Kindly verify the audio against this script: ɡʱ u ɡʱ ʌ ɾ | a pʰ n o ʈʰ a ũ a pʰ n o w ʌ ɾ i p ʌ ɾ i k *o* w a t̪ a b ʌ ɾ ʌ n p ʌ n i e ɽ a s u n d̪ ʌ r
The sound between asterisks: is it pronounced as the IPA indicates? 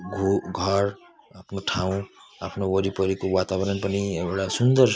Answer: yes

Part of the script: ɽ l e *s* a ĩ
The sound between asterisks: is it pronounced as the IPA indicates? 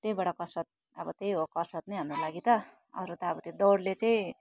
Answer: no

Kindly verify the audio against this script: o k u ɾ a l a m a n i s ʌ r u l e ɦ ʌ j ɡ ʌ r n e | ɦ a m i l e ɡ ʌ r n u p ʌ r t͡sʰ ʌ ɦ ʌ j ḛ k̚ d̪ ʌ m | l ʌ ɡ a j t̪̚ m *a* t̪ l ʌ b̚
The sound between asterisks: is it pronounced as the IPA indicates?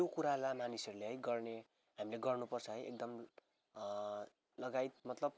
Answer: no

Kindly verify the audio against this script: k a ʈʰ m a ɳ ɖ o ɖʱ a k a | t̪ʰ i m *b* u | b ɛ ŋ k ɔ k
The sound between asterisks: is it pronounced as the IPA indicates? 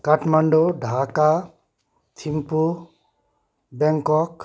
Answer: no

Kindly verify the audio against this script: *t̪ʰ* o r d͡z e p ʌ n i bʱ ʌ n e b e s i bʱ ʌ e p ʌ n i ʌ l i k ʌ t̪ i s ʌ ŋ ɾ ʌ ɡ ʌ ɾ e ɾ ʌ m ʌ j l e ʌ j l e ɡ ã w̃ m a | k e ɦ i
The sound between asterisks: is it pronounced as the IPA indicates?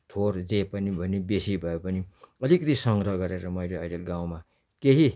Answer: yes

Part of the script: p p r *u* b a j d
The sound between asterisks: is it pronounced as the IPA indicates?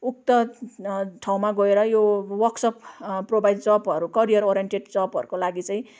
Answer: no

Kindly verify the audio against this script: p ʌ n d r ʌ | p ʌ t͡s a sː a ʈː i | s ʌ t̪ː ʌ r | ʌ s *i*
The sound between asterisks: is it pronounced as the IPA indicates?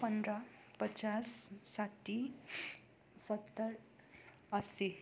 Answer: yes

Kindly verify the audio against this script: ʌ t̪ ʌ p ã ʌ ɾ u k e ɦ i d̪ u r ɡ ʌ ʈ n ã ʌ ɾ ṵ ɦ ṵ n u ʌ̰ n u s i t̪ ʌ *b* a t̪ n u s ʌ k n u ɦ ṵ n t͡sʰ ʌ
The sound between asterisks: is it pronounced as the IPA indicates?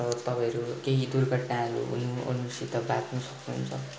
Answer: yes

